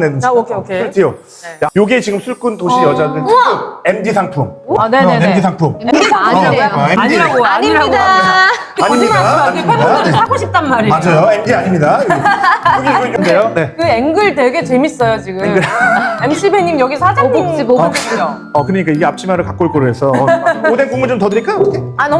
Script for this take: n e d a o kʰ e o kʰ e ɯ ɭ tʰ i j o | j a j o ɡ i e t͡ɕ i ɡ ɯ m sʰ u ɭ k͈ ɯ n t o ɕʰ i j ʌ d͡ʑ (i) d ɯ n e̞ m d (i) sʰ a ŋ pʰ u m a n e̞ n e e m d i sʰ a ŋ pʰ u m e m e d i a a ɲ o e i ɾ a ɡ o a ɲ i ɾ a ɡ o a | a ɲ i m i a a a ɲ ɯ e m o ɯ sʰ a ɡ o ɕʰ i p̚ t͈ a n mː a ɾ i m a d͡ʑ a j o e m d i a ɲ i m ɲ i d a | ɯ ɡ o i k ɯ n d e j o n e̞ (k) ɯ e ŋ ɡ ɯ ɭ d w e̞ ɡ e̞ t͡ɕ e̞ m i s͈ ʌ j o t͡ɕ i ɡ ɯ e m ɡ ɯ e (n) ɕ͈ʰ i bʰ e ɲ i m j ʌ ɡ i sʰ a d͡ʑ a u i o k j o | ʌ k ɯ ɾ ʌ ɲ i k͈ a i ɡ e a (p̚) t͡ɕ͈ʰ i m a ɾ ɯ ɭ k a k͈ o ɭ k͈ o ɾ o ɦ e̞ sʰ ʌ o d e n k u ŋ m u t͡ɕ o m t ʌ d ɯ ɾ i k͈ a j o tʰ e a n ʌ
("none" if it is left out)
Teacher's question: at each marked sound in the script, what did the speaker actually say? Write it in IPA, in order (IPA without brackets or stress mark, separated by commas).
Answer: a, i, k, m, p̚